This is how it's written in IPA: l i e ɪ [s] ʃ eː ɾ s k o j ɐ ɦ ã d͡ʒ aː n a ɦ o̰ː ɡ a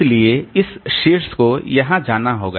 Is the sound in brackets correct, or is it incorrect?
correct